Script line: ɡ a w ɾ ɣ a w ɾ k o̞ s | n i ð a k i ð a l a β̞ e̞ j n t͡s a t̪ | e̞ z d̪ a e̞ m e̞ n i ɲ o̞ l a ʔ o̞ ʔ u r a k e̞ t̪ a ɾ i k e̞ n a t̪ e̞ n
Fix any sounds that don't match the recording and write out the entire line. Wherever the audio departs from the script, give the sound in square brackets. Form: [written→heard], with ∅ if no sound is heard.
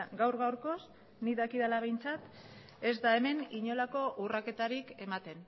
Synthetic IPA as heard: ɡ a w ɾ ɣ a w ɾ k o̞ s | n i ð a k i ð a l a β̞ e̞ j n t͡s a t̪ | e̞ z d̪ a e̞ m e̞ n i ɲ o̞ l a [ʔ→k] o̞ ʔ u r a k e̞ t̪ a ɾ i k e̞ [n→m] a t̪ e̞ n